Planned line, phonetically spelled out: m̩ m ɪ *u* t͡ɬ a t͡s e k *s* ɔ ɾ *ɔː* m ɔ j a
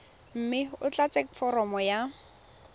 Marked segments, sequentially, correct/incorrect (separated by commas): incorrect, incorrect, incorrect